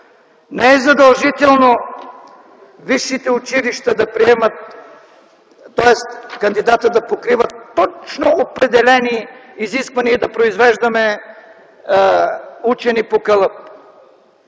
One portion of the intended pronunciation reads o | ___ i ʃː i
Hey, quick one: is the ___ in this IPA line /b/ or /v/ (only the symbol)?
v